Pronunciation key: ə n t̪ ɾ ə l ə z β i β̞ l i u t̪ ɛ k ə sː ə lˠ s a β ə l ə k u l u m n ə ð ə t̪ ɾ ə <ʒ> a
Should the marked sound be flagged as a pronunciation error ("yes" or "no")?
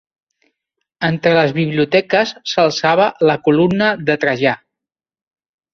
no